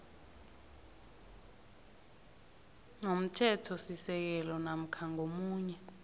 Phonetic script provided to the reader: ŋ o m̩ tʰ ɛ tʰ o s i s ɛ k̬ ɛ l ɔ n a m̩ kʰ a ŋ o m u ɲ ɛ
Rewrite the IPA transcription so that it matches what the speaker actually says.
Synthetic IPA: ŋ o m̩ tʰ ɛ tʰ ɔ s i s ɛ k̬ ɛ l ɔ n a m̩ kʰ a ŋ o m uː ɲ ɛ